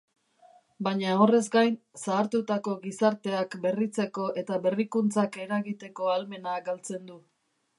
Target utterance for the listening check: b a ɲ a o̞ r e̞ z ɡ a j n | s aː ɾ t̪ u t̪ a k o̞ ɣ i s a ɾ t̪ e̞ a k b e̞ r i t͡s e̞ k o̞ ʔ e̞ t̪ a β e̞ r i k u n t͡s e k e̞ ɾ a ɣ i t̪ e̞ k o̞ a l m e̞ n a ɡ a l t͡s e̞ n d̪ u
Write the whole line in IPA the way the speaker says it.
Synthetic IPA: b a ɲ a o̞ r e̞ z ɡ a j n | s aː ɾ t̪ u t̪ a k o̞ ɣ i s a ɾ t̪ e̞ a k b e̞ r i t͡s e̞ k o̞ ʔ e̞ t̪ a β e̞ r i k u n t͡s a k e̞ ɾ a ɣ i t̪ e̞ k o̞ a l m e̞ n a ɡ a l t͡s e̞ n d̪ u